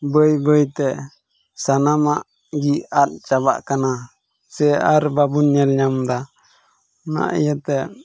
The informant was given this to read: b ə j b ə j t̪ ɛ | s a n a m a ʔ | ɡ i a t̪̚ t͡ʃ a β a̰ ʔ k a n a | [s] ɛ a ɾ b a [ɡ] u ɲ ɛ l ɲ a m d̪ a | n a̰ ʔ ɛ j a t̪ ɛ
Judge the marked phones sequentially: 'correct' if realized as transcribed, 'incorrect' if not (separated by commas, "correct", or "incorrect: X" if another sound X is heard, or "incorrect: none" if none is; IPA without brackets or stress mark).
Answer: correct, incorrect: b